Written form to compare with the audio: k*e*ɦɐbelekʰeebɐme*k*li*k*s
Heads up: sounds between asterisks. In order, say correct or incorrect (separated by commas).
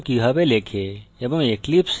incorrect, correct, incorrect